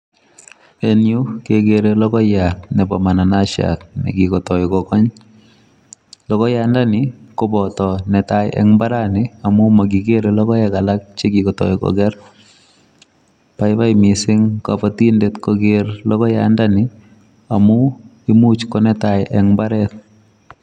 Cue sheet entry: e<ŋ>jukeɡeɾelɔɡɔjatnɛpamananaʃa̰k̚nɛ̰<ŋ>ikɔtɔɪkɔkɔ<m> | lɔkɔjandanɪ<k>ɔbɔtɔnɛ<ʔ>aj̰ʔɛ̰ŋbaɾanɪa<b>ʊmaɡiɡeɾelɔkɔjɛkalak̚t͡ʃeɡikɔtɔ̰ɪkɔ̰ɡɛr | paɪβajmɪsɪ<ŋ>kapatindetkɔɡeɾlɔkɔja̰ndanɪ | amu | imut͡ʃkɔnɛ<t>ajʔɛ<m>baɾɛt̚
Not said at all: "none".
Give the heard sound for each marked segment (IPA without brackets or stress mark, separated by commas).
n, ɡ, ɲ, k, t, m, ŋ, t, ŋ